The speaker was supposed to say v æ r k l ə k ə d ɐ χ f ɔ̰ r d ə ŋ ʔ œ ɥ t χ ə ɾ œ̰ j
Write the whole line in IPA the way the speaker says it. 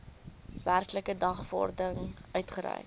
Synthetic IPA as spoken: v æ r k l ə k ə d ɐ χ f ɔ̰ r d ə ŋ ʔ œ ɥ t χ ə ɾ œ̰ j